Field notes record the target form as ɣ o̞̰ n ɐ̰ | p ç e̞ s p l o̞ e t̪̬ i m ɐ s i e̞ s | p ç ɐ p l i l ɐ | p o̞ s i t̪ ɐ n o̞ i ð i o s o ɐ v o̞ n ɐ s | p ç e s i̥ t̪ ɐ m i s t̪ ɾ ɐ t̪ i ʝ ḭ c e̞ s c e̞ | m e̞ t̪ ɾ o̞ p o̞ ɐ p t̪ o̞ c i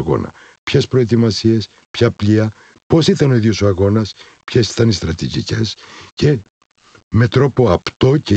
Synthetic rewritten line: ɣ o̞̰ n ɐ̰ | p ç e̞ s p ɾ o̞ e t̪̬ i m ɐ s i e̞ s | p ç ɐ p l i ɐ | p o̞ s i t̪ ɐ n o̞ i ð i o s o ɐ ɣ o̞ n ɐ s | p ç e s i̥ t̪ ɐ n i s t̪ ɾ ɐ t̪ i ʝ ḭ c e̞ s c e̞ | m e̞ t̪ ɾ o̞ p o̞ ɐ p t̪ o̞ c e